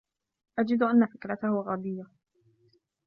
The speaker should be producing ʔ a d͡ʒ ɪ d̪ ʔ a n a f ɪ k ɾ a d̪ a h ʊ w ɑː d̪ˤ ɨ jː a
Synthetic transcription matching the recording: ʔ a d͡ʒ ɪ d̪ ʔ a nː a f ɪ k ɾ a t̪ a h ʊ ɣ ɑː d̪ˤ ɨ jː a